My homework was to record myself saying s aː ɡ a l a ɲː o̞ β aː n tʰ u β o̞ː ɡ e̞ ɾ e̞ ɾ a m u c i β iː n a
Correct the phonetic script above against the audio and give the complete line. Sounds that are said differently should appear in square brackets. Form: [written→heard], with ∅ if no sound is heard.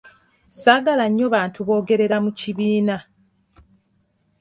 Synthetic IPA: s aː ɡ a l a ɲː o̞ β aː n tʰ u β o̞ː ɡ e̞ ɾ e̞ ɾ a m u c i β iː n a